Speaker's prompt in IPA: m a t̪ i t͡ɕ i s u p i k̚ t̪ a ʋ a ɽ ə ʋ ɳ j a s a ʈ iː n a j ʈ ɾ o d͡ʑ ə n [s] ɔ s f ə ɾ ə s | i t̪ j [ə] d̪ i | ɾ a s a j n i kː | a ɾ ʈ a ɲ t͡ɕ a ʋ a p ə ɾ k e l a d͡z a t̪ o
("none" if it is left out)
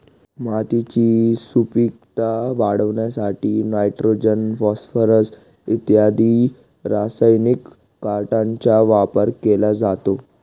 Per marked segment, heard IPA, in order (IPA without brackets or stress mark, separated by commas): f, a